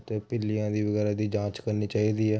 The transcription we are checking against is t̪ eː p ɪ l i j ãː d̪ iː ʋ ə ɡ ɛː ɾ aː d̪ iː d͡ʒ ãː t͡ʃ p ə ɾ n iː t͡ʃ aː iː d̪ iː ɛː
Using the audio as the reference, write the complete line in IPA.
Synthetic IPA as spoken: t̪ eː p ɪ l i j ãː d̪ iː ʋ ə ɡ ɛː ɾ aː d̪ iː d͡ʒ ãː t͡ʃ k ə ɾ n iː t͡ʃ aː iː d̪ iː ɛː